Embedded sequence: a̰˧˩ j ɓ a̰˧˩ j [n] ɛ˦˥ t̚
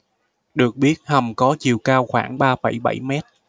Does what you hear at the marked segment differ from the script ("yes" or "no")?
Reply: yes